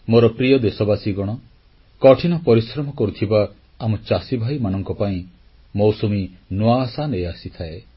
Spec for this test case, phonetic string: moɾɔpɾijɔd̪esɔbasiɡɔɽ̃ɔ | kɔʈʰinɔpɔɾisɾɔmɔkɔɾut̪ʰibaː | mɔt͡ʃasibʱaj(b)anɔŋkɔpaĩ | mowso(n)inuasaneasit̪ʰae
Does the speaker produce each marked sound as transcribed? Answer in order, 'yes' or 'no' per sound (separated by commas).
no, no